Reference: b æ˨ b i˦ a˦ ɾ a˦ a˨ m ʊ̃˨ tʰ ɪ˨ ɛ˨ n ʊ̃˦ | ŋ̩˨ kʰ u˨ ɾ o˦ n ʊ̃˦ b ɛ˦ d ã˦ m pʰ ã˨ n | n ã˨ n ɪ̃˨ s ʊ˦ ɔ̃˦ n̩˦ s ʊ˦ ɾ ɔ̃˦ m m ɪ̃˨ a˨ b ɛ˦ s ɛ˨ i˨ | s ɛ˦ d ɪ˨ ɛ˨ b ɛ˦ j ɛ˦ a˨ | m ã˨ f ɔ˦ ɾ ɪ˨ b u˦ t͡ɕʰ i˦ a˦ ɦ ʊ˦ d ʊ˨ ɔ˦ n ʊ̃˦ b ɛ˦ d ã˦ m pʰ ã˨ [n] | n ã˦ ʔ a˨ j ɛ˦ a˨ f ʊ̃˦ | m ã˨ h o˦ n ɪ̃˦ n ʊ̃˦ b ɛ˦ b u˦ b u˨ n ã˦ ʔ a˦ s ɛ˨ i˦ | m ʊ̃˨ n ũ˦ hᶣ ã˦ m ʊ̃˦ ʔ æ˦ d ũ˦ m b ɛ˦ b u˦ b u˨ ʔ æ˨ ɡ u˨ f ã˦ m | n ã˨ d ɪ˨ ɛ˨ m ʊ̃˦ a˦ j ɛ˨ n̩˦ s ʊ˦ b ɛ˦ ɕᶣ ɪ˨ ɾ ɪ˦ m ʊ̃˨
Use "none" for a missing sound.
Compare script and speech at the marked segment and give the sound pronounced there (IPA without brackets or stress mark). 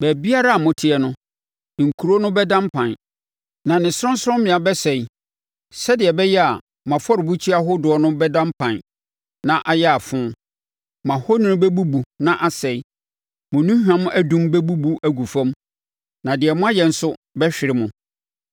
n